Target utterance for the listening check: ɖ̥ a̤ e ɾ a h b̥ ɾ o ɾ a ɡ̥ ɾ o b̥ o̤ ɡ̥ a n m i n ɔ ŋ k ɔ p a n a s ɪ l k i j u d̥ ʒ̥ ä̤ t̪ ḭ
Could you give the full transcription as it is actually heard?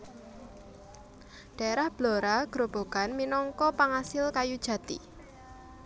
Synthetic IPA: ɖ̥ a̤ e ɾ a h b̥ l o ɾ a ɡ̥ ɾ o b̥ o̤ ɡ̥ a n m i n ɔ ŋ k ɔ p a ŋ a s ɪ l k a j u d̥ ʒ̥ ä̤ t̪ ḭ